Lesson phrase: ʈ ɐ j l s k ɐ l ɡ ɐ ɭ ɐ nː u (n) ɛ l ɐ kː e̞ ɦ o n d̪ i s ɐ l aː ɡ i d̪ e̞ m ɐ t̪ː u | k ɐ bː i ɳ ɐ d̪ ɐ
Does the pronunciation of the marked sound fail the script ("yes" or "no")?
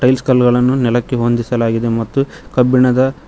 no